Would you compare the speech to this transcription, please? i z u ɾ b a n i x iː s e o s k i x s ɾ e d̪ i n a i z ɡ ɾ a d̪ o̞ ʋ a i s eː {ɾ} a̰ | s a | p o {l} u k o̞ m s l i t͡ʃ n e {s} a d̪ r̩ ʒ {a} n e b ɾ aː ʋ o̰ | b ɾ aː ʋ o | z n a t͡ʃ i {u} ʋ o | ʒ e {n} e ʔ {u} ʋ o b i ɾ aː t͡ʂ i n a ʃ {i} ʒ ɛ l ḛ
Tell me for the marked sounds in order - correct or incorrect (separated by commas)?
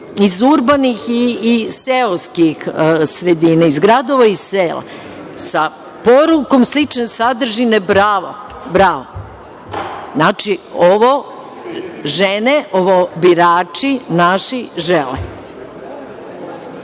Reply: incorrect, incorrect, correct, incorrect, incorrect, correct, incorrect, correct